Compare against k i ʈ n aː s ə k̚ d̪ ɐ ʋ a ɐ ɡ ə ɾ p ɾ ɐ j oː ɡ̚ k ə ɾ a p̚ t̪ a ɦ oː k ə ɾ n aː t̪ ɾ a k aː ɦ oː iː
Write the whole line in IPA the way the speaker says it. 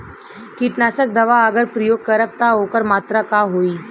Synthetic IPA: k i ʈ n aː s ə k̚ d̪ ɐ ʋ a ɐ ɡ ə ɾ p ɾ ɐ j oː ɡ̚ k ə ɾ ə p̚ t̪ a ɦ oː k ə ɾ m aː t̪ ɾ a k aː ɦ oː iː